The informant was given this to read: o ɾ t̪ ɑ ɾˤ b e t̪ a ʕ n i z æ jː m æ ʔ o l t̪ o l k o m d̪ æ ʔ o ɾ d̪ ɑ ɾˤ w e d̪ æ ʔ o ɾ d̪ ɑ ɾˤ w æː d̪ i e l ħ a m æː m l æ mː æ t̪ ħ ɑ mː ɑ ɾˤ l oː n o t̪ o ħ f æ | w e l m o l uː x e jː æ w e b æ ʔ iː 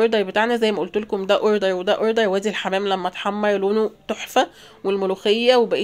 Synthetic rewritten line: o ɾ d̪ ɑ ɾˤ b e t̪ a ʕ n æ z æ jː m æ ʔ o l t̪ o l k o m d̪ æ ʔ o ɾ d̪ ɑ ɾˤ w e d̪ æ ʔ o ɾ d̪ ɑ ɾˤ w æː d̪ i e l ħ a m æː m l æ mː æ t̪ ħ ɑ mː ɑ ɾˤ l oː n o t̪ o ħ f æ | w e l m o l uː x e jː æ w e b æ ʔ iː